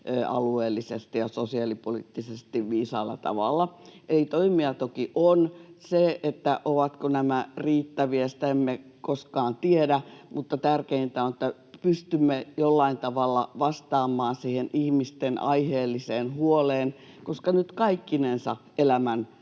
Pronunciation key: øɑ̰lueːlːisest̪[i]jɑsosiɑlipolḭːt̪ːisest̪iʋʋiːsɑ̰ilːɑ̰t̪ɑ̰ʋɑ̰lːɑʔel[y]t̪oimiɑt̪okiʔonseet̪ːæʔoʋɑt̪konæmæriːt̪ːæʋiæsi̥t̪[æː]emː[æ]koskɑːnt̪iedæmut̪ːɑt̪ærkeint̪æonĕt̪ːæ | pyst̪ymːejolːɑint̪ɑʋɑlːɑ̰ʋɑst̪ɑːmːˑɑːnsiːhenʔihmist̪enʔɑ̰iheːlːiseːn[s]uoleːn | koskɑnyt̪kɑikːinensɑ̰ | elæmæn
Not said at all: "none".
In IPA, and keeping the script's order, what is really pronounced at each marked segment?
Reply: i, i, æ, e, h

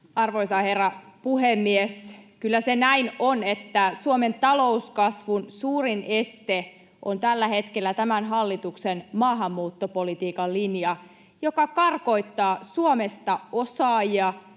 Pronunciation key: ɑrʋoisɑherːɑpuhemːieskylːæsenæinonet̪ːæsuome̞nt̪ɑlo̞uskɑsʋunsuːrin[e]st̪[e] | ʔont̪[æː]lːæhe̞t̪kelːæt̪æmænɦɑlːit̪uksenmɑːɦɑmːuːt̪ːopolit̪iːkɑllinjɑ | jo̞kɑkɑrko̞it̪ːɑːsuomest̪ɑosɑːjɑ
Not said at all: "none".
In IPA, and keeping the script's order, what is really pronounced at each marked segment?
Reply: e, e, æ

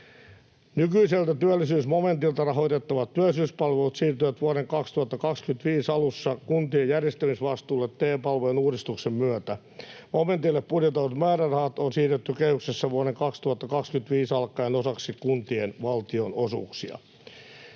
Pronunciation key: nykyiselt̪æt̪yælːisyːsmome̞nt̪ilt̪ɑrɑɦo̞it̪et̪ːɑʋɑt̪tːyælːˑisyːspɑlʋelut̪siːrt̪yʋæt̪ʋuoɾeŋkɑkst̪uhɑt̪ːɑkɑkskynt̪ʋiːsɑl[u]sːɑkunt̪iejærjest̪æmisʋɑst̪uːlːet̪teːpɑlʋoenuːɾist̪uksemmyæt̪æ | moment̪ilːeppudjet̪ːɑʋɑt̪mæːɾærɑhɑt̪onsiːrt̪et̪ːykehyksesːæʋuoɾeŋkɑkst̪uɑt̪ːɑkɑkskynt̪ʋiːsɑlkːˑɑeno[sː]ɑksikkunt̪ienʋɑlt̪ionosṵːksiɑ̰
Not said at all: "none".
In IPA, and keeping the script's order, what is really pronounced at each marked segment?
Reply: u, s

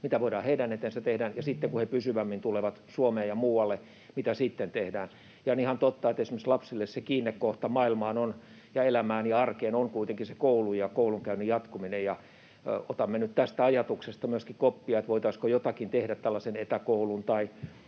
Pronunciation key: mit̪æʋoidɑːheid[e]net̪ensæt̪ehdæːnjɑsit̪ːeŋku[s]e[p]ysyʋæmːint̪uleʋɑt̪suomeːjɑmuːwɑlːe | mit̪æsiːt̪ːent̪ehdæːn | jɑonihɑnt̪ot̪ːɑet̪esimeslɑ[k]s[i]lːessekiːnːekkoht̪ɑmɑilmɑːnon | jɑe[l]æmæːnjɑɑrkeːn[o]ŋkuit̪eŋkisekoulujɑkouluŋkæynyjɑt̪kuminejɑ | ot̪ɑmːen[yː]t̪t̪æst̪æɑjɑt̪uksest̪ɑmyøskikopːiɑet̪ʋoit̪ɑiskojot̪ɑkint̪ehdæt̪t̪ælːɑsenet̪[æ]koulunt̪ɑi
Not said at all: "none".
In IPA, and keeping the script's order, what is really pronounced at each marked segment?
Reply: æ, h, p, p, i, l, o, y, æ

